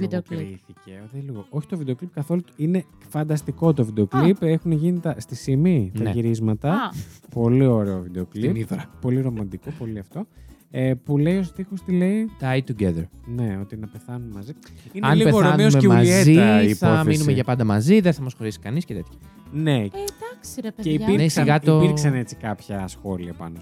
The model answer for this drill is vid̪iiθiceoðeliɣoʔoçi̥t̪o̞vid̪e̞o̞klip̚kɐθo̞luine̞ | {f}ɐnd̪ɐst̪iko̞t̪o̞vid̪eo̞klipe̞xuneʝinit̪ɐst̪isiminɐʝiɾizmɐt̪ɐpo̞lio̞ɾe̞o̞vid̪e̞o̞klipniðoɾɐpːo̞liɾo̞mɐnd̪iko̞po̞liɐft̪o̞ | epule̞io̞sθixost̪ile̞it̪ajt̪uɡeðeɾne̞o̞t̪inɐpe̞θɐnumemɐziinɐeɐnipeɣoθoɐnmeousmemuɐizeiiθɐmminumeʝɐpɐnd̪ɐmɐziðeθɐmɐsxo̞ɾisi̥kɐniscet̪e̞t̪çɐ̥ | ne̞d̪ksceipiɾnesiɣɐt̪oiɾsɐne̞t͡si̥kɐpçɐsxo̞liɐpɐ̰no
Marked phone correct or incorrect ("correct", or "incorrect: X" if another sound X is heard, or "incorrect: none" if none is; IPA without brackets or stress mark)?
correct